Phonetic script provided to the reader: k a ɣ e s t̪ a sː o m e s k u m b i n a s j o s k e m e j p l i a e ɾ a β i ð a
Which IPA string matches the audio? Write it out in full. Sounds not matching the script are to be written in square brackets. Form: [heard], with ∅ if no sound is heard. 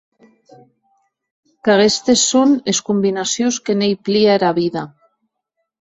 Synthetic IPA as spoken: k a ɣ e s t̪ [e] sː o [n] e s k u m b i n a s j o s k e [n] e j p l i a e ɾ a β i ð a